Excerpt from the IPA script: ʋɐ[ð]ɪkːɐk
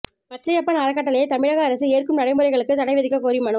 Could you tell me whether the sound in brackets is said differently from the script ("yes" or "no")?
no